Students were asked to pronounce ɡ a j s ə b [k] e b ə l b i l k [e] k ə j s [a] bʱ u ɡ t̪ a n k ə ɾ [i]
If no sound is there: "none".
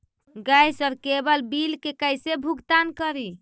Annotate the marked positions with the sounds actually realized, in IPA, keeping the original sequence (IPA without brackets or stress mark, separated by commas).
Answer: k, e, e, i